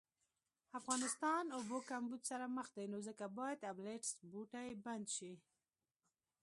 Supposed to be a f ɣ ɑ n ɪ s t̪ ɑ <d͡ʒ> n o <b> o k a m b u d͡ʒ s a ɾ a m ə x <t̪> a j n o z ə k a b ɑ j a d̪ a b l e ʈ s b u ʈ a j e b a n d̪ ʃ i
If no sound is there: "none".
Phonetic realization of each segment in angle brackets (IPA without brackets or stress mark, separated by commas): none, b, d̪